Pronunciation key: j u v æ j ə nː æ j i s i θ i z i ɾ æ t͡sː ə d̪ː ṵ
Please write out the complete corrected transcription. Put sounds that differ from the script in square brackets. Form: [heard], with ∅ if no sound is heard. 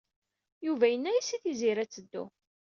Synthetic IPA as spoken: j u v æ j ə nː æ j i s i θ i z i ɾ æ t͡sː ə d̪ː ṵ